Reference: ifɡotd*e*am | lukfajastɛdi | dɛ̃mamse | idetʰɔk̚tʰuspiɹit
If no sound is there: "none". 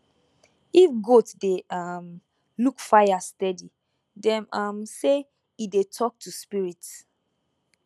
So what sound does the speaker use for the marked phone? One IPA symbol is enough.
e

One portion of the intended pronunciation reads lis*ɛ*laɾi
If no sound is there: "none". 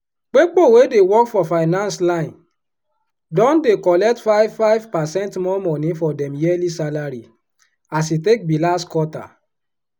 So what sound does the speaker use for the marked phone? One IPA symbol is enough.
a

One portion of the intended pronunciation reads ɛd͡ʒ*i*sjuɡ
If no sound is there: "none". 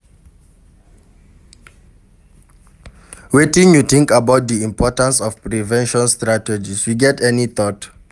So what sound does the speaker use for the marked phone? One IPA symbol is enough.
i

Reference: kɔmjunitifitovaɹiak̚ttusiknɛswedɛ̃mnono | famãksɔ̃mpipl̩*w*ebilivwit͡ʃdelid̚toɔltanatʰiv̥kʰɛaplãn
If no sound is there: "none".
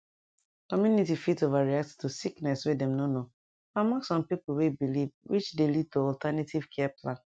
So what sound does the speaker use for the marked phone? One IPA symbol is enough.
w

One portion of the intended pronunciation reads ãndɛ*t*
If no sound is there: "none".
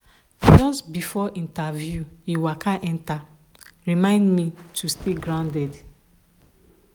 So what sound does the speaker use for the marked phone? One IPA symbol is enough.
d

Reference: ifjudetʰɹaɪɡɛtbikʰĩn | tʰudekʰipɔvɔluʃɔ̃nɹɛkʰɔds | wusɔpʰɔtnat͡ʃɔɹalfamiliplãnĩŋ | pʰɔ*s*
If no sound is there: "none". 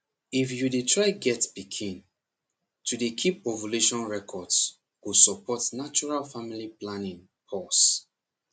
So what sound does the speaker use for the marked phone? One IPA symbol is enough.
s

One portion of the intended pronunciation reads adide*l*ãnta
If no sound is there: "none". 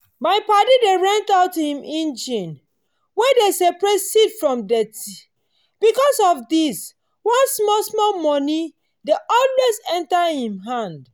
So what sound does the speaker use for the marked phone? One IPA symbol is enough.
ɹ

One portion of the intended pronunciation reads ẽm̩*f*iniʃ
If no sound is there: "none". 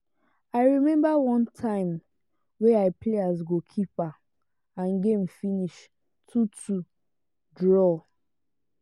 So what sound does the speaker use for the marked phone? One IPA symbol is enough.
f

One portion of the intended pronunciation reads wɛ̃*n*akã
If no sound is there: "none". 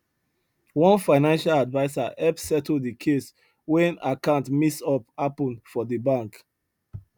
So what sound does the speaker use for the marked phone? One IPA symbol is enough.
n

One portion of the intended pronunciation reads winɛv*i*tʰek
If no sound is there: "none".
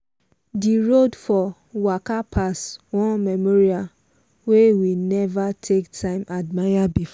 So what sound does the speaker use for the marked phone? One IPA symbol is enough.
a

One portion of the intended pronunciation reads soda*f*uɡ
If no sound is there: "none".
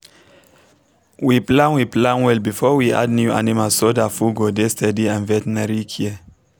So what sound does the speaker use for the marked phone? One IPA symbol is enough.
f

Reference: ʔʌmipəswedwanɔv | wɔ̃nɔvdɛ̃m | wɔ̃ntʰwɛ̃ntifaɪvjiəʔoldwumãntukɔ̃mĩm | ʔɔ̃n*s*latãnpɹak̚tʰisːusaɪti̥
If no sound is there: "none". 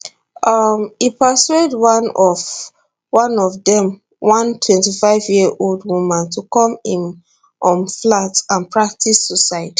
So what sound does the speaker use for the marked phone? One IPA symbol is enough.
f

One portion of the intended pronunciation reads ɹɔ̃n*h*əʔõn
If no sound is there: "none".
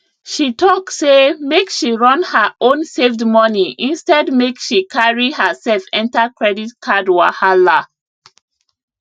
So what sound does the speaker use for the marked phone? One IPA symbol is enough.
h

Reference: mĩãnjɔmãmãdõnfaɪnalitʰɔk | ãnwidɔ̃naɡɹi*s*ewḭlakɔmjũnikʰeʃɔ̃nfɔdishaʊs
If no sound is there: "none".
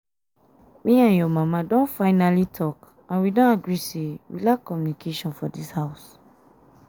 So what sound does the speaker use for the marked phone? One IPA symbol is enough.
s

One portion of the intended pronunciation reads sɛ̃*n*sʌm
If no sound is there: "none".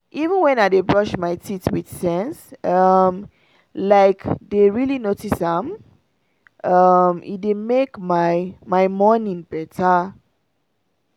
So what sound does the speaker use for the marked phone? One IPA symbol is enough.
n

